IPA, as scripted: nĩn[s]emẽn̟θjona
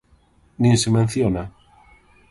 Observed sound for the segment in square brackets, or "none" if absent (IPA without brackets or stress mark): s